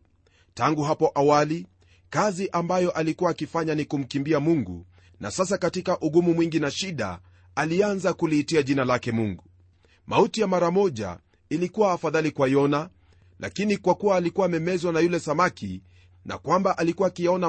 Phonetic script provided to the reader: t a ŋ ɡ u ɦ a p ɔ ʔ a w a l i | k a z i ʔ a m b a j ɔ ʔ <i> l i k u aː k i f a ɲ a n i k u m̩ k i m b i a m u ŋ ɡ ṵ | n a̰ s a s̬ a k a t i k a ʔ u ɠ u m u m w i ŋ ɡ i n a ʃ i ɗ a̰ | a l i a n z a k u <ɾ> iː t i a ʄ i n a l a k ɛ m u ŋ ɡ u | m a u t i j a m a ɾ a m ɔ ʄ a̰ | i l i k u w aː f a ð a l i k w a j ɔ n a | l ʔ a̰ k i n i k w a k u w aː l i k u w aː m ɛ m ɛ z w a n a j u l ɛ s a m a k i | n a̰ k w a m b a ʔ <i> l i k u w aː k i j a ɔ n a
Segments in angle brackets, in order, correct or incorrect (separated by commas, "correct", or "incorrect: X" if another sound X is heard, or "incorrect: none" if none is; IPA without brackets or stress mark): incorrect: a, incorrect: l, incorrect: a